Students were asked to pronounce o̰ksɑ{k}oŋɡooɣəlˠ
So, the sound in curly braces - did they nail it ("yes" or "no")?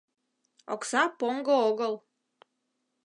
no